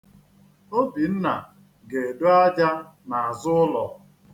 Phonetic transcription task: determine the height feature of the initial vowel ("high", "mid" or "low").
mid